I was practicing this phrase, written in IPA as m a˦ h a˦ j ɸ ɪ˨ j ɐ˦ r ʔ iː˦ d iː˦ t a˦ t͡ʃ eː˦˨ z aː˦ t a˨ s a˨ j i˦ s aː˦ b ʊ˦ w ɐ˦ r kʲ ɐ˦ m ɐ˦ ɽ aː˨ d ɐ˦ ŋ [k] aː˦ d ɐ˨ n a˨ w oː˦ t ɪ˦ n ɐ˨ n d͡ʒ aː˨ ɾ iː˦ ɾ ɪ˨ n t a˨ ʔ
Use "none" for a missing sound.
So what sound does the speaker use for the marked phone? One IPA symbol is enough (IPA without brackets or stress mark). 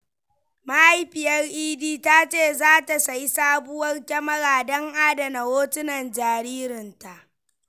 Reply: ʔ